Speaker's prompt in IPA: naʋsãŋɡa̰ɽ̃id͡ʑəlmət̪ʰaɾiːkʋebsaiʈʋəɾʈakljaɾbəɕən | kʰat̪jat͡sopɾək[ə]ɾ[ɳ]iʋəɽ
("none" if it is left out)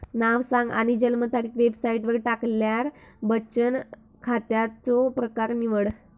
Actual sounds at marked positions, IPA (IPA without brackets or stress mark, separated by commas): a, n